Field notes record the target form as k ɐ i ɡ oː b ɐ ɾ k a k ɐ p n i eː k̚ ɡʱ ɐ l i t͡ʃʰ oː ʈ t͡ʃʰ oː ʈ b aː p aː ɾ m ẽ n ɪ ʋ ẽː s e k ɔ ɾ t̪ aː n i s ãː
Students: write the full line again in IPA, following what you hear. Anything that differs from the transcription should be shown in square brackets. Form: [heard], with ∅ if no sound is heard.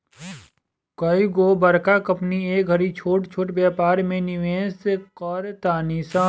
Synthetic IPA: k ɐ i ɡ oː b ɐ ɾ k a k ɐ p n i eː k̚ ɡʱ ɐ [ɾ] i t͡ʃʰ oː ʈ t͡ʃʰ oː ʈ b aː p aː ɾ m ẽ n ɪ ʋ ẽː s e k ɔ ɾ t̪ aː n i s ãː